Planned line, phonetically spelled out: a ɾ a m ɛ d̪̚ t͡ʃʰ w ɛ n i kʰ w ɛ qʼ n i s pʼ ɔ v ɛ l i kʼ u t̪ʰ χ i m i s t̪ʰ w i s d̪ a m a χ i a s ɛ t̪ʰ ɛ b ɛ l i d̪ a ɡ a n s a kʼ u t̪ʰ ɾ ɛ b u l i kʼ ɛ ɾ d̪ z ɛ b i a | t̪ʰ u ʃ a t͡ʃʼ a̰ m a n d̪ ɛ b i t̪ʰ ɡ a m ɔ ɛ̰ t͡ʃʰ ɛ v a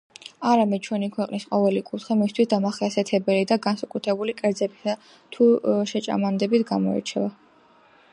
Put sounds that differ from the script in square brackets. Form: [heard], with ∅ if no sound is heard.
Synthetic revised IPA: a ɾ a m ɛ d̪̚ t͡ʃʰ w ɛ n i kʰ w ɛ qʼ n i s [qʼ] ɔ v ɛ l i kʼ u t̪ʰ χ i m i s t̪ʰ w i s d̪ a m a χ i a s ɛ t̪ʰ ɛ b ɛ l i d̪ a ɡ a n s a kʼ u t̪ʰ ɾ ɛ b u l i kʼ ɛ ɾ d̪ z ɛ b i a | t̪ʰ u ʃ [ɛ] t͡ʃʼ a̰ m a n d̪ ɛ b i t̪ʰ ɡ a m ɔ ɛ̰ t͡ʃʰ ɛ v a